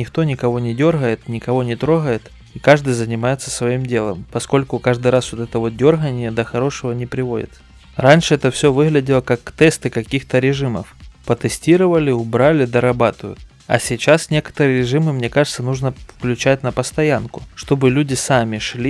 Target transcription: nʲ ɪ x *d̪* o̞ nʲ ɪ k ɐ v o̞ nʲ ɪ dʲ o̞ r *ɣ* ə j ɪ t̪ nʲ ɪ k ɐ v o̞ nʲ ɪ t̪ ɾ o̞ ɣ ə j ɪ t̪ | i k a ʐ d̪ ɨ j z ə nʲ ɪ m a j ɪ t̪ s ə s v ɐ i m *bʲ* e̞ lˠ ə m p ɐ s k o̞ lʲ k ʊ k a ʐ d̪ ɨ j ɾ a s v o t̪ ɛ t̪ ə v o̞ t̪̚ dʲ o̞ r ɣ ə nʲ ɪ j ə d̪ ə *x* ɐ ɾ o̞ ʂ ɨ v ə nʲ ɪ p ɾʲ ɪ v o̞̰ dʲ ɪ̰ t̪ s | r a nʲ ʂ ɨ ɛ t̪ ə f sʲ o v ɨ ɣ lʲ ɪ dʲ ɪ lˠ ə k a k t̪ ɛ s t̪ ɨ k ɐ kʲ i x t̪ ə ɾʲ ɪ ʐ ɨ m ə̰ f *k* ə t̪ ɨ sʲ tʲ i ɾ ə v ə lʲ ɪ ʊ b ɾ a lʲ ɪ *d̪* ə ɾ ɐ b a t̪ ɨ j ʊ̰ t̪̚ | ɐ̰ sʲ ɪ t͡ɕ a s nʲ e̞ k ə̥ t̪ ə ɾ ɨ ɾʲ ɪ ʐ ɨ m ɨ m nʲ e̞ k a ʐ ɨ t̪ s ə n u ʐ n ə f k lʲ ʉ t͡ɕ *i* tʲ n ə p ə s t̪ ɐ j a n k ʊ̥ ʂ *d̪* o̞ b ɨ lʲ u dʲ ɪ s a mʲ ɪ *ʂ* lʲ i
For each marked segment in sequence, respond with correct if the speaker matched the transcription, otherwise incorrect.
incorrect: t̪, correct, incorrect: dʲ, correct, incorrect: p, correct, incorrect: æ, incorrect: t̪, correct

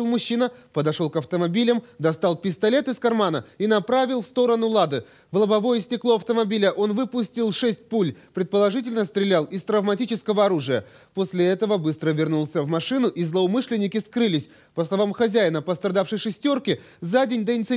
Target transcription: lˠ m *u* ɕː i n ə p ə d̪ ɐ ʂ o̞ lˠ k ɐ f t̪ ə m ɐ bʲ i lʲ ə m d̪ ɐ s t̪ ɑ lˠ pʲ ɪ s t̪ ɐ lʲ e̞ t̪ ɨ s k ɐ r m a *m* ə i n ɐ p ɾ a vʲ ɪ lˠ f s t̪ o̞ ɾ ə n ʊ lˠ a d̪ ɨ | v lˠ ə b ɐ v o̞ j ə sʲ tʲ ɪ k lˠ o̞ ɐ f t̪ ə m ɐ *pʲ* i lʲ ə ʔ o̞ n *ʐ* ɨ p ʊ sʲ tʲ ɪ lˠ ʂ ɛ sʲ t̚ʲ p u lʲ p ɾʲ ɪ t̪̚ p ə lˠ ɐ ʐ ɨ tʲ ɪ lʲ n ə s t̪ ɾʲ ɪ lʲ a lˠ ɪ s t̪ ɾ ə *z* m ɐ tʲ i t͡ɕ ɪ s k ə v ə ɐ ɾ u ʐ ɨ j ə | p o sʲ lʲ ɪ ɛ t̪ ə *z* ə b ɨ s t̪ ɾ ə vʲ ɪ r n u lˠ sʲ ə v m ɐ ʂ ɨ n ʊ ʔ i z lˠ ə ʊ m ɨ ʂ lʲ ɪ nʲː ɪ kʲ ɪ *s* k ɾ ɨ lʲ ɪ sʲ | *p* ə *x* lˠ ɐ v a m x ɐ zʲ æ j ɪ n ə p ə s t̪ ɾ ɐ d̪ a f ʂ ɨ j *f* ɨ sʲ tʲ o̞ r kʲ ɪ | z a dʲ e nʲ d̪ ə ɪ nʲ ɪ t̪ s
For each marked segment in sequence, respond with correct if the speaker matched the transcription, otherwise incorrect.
incorrect: ʊ, incorrect: n, incorrect: bʲ, incorrect: v, incorrect: v, incorrect: v, correct, correct, incorrect: s, incorrect: ʂ

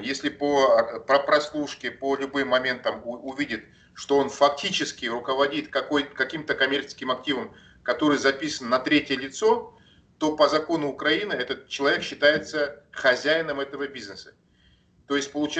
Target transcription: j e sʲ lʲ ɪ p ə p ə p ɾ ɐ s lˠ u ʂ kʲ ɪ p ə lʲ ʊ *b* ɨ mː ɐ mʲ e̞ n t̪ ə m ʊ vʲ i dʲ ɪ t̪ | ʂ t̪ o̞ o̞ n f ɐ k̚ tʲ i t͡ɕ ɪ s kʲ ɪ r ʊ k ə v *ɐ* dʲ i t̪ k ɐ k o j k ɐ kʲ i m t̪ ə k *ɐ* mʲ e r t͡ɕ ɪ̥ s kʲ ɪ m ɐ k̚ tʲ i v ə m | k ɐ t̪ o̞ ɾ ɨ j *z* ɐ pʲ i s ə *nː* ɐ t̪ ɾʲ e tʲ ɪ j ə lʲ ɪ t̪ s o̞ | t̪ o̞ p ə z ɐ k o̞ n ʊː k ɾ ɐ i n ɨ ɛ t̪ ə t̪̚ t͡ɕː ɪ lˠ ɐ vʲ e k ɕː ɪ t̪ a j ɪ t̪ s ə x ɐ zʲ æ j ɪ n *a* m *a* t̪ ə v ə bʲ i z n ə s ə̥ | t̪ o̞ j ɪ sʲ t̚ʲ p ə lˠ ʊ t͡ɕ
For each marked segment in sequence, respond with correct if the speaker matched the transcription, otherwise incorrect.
correct, correct, correct, correct, correct, incorrect: ə, incorrect: ɛ

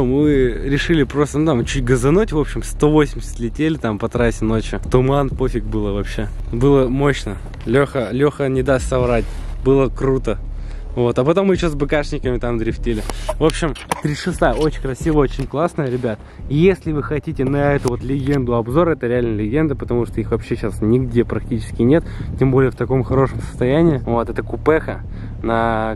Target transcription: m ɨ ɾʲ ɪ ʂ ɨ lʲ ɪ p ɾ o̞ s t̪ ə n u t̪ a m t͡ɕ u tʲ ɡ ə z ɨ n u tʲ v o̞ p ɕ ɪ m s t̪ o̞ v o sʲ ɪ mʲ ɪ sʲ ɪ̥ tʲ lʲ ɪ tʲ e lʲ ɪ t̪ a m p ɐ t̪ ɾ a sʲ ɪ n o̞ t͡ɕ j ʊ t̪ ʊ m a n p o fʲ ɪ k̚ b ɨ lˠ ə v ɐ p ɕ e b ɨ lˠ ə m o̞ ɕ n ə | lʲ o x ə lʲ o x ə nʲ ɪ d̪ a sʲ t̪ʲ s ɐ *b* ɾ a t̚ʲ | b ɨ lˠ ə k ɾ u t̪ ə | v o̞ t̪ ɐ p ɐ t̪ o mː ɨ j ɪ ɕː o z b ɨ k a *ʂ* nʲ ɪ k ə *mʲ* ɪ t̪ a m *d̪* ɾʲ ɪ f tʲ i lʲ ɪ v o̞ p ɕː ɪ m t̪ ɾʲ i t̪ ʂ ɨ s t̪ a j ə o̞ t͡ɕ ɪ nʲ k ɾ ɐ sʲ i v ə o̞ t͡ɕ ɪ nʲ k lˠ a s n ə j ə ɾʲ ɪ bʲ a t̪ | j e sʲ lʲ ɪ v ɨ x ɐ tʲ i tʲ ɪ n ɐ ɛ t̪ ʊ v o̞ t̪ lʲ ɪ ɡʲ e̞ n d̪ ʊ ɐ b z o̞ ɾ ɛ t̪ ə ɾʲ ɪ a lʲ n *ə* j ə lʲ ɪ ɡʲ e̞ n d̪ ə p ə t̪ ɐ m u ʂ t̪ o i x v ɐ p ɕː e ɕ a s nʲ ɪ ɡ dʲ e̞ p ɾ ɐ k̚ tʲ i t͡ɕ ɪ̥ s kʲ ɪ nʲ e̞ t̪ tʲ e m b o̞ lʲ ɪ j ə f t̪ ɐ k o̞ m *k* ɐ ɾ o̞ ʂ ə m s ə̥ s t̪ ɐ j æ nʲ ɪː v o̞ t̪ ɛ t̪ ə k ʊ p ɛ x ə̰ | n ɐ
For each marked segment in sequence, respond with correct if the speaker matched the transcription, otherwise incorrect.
incorrect: v, correct, correct, correct, correct, incorrect: x

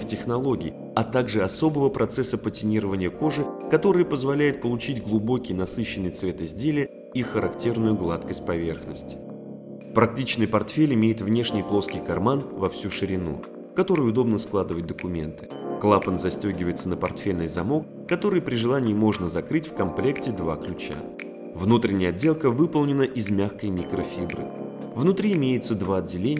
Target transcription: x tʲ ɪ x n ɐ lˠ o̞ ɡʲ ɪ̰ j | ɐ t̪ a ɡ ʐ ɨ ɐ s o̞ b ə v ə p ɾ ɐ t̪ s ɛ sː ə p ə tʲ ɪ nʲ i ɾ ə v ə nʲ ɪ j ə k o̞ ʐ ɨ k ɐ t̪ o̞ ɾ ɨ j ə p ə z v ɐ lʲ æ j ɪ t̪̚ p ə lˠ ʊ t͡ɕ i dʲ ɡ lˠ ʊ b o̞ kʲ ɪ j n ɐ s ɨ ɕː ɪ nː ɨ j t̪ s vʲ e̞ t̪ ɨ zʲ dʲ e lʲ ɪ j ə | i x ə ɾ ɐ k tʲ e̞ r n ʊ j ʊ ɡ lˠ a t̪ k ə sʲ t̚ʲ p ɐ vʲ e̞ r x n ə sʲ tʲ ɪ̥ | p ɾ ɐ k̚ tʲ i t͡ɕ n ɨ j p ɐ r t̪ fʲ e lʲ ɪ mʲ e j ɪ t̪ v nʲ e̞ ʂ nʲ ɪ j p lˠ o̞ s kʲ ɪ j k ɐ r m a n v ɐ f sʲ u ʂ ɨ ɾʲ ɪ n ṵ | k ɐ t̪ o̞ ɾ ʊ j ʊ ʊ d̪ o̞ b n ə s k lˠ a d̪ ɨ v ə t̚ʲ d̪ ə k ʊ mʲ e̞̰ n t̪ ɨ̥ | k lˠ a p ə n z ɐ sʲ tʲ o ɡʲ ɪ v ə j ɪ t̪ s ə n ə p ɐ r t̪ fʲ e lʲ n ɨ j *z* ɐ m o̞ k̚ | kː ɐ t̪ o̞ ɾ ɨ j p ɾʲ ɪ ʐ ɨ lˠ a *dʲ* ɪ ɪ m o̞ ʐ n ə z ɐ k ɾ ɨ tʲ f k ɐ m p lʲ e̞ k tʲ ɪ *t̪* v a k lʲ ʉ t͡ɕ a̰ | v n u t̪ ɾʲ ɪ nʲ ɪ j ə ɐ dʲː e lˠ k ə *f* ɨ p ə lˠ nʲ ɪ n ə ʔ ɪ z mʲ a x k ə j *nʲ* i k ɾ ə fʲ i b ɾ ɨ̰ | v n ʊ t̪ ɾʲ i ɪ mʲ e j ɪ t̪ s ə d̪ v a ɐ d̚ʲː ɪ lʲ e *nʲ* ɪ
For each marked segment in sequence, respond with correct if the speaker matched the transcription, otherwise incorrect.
correct, incorrect: nʲ, incorrect: d̪, incorrect: v, incorrect: mʲ, correct

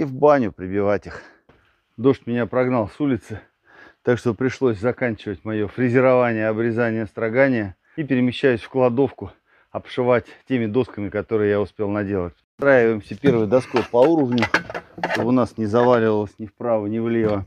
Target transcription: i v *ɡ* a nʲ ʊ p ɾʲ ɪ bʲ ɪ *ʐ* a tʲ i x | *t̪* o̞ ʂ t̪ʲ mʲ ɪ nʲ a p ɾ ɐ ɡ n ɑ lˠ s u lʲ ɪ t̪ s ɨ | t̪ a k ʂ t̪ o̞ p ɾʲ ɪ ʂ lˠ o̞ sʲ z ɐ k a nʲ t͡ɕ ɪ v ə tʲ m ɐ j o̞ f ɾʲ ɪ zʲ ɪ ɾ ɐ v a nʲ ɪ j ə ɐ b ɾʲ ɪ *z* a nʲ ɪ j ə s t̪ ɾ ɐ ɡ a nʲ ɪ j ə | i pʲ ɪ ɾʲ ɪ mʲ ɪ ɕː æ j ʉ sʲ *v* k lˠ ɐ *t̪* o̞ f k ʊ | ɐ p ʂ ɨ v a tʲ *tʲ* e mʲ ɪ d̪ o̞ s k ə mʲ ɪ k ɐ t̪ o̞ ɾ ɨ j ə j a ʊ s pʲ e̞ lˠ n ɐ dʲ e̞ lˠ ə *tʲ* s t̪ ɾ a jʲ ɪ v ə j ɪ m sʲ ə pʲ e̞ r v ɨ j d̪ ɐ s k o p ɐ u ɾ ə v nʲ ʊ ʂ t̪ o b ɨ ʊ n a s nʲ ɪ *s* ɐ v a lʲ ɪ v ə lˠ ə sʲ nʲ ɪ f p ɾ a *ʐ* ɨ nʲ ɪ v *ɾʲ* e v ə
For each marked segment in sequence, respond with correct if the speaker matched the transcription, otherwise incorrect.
incorrect: b, incorrect: v, incorrect: d̪, correct, incorrect: f, incorrect: d̪, correct, correct, incorrect: z, incorrect: v, incorrect: lʲ

